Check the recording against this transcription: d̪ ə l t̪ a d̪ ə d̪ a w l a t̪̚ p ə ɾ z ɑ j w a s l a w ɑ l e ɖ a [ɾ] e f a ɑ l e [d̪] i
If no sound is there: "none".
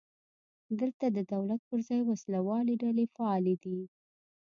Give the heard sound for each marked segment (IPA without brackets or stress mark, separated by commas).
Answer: l, d̪